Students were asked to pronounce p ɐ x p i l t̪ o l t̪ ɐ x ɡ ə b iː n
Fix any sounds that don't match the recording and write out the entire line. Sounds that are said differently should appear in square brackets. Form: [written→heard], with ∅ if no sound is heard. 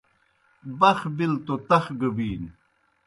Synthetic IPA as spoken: [p→b] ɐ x [p→b] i l t̪ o [l→∅] t̪ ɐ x ɡ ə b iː n